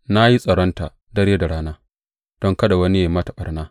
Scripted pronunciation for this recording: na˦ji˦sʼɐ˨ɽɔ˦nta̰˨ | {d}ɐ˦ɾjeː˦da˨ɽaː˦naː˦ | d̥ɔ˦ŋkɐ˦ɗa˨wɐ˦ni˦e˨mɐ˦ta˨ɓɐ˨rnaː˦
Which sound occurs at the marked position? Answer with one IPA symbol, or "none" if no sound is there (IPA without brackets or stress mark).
d